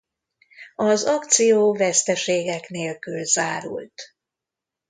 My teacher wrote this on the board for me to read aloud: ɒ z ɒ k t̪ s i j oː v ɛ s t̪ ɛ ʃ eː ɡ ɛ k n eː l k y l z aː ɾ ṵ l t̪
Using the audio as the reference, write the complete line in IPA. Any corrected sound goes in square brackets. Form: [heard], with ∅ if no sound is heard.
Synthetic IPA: ɒ z ɒ k t̪ s i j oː v ɛ s t̪ ɛ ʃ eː ɡ ɛ k n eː l k y l z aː ɾ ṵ l t̪